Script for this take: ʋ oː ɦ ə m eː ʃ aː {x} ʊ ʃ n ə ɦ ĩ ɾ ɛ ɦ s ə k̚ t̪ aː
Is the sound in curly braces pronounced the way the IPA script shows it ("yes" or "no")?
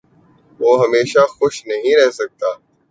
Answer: yes